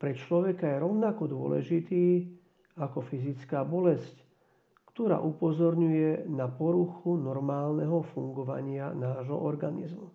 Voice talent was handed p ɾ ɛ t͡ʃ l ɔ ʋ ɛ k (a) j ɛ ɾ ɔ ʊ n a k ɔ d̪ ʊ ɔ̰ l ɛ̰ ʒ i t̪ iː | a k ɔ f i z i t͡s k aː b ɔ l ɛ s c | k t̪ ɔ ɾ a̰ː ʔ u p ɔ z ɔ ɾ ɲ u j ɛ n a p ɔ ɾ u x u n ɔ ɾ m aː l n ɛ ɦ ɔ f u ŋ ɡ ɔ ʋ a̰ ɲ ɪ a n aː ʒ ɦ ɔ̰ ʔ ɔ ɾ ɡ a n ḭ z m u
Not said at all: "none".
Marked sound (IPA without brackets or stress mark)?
a